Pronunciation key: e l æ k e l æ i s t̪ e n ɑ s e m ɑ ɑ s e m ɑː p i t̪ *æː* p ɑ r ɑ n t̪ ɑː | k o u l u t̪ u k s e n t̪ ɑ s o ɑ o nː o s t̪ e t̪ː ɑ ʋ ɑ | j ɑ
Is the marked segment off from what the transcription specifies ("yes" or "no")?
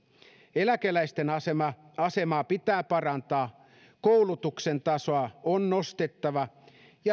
no